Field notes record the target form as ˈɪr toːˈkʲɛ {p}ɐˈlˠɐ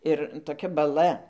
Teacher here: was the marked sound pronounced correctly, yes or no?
no